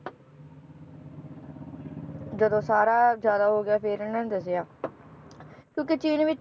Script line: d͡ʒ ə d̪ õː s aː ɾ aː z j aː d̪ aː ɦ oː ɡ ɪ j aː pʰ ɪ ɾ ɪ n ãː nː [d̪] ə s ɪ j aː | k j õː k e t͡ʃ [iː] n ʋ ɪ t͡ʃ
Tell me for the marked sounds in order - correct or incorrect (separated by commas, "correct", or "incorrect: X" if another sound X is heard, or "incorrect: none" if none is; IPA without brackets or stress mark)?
correct, correct